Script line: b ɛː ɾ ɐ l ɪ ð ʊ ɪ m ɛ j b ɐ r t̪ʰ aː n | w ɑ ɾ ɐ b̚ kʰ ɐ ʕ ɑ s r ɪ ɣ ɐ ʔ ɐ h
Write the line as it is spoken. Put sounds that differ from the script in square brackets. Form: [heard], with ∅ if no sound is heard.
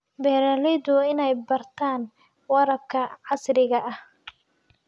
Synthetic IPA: b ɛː ɾ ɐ l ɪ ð ʊ ɪ [n] ɛ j b ɐ r t̪ʰ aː n | w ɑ ɾ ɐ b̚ kʰ ɐ ʕ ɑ s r ɪ ɣ ɐ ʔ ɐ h